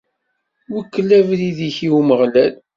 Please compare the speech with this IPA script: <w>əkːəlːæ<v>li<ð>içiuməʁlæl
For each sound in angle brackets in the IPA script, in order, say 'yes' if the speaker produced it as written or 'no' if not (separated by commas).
yes, yes, yes